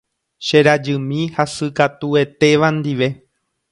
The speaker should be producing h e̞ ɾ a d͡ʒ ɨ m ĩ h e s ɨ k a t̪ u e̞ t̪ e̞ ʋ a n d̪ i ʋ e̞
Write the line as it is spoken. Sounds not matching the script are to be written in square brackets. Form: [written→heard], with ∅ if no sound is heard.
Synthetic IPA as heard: [h→ʃ] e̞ ɾ a d͡ʒ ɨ m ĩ h [e→a] s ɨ k a t̪ u e̞ t̪ e̞ ʋ a n d̪ i ʋ e̞